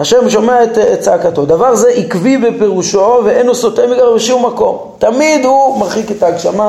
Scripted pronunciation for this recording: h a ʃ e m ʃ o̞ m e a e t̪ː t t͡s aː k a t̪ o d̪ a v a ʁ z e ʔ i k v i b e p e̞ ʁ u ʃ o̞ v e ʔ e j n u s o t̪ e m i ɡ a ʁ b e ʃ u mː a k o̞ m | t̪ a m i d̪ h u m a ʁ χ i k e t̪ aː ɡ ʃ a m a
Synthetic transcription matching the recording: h a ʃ e m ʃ o̞ m e a e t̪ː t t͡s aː k a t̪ o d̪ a v a ʁ z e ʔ i k v i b e p e̞ ʁ u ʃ o̞ v e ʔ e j n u s o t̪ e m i ɡ a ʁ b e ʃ u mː a k o̞ m | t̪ a m i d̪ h u m a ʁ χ i k e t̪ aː ɡ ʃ a m a